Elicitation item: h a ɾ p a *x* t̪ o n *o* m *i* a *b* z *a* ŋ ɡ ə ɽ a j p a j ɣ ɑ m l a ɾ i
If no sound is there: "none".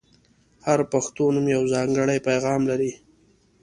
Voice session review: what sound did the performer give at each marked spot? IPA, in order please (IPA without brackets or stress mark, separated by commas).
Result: x, u, j, w, ɑ